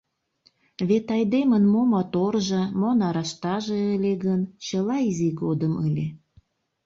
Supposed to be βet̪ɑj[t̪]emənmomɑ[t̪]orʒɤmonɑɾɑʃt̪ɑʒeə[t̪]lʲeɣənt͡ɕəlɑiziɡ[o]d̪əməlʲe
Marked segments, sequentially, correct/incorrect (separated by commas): incorrect, correct, incorrect, correct